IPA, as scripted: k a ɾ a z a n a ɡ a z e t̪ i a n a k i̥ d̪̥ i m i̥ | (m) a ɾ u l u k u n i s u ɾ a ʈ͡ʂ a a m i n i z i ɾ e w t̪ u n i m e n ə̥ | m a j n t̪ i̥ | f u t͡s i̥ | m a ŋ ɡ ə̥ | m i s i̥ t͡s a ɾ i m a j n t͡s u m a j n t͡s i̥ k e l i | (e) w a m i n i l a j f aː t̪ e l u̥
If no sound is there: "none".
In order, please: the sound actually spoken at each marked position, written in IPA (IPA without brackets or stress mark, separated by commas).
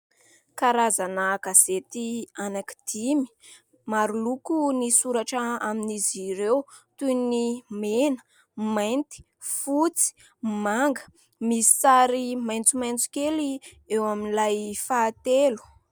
m, e